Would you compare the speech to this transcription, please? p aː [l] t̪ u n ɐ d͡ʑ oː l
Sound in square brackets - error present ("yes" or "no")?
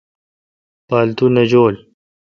no